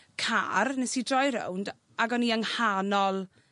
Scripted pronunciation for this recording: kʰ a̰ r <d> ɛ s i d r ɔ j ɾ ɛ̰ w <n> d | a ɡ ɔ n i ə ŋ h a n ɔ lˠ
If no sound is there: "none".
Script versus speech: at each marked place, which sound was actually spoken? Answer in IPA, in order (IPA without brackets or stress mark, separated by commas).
n, n